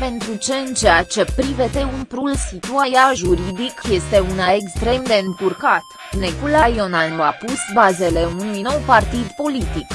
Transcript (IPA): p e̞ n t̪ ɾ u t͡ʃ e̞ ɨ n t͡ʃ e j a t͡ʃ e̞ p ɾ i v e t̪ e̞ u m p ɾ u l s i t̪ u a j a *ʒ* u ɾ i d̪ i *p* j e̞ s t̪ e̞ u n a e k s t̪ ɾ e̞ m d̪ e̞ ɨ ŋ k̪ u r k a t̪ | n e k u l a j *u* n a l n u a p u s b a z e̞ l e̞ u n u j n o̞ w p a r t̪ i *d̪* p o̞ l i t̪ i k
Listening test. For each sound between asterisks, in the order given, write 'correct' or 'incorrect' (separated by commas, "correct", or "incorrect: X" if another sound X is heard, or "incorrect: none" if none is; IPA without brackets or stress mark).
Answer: correct, incorrect: k, incorrect: o, correct